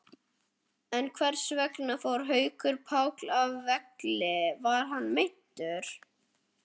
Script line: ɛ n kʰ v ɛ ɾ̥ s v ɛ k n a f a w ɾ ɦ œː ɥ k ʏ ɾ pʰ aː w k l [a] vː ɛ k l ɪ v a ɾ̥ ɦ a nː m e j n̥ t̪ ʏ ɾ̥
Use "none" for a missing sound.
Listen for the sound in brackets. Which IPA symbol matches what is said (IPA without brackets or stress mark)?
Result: a